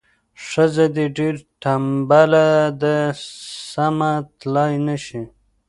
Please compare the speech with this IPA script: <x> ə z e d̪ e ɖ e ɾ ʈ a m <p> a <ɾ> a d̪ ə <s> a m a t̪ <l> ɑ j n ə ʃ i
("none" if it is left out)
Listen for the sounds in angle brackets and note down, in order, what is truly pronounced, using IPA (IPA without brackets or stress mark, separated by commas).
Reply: ʂ, b, l, s, l